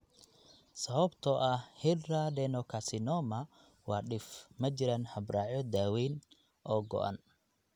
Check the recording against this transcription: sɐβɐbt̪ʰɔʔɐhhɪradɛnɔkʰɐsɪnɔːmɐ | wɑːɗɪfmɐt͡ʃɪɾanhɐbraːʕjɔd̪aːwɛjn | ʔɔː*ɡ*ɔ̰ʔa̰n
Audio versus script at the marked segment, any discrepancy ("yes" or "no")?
no